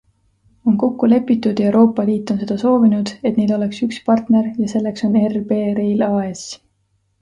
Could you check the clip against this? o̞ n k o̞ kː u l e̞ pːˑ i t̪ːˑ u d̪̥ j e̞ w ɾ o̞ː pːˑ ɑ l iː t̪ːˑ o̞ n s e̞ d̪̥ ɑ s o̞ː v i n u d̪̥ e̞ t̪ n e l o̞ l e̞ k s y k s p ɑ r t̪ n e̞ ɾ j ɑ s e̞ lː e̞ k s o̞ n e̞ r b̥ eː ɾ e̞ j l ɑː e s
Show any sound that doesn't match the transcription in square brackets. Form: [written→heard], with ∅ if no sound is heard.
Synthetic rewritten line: o̞ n k o̞ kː u l e̞ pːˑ i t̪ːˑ u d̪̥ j e̞ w ɾ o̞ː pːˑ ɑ l iː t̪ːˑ o̞ n s e̞ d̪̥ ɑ s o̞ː v i n u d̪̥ e̞ t̪ n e l o̞ l e̞ k s y k s p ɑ r t̪ n e̞ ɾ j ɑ s e̞ lː e̞ k s o̞ n e̞ r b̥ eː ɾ e̞ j l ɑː e s